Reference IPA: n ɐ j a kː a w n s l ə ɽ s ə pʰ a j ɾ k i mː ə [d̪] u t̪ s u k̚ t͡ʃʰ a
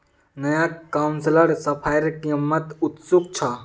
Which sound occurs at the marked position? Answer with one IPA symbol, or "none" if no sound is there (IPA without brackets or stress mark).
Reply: t̪